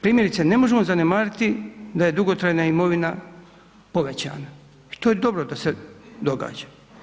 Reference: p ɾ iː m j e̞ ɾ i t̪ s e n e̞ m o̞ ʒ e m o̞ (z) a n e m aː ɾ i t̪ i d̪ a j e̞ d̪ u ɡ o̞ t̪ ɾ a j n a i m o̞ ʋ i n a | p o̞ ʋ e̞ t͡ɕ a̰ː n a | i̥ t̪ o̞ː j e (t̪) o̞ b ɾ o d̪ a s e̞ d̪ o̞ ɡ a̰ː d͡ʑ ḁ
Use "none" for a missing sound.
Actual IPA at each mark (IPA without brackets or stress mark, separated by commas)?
z, d̪